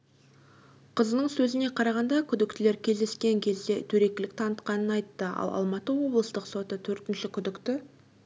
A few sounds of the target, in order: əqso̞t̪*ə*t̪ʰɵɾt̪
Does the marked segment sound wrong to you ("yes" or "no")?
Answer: no